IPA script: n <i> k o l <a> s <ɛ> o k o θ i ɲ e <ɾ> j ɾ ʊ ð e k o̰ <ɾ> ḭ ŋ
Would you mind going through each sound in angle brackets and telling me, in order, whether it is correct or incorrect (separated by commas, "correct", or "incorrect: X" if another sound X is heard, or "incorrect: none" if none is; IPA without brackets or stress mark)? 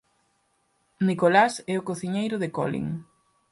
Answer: correct, correct, correct, incorrect: none, incorrect: l